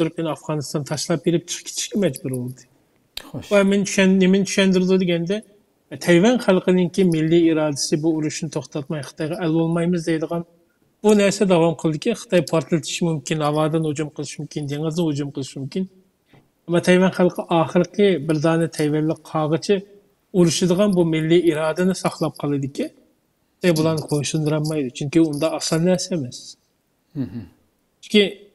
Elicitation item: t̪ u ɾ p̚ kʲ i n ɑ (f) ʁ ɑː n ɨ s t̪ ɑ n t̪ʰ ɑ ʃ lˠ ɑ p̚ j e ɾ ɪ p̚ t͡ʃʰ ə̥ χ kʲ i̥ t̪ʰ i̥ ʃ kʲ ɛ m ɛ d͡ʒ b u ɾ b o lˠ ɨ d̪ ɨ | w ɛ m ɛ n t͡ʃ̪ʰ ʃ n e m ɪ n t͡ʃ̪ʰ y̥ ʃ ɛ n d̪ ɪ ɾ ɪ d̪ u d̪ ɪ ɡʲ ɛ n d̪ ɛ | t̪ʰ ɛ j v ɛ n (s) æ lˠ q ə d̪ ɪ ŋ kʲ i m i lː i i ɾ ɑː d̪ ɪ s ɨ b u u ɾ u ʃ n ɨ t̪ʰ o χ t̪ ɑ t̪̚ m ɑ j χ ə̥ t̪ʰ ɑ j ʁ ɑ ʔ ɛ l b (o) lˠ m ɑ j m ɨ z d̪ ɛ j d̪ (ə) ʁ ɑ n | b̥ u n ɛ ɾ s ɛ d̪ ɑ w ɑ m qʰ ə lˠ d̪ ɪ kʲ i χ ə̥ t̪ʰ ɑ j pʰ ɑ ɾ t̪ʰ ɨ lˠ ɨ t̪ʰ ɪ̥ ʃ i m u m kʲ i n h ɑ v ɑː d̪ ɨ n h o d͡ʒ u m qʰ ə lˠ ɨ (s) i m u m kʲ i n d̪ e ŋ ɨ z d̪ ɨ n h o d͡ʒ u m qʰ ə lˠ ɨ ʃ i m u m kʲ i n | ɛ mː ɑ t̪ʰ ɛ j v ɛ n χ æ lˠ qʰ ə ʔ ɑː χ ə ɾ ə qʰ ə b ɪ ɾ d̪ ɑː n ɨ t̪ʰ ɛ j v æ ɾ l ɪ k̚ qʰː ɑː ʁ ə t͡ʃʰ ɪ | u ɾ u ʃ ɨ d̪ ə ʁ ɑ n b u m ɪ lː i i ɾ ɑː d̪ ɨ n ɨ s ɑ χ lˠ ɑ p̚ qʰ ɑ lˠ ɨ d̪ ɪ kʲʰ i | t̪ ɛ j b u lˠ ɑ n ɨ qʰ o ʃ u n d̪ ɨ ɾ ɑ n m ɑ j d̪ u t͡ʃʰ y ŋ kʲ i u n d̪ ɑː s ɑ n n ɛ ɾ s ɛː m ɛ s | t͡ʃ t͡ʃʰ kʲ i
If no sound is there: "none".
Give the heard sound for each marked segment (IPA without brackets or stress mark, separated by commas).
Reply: f, χ, o, ə, ʃ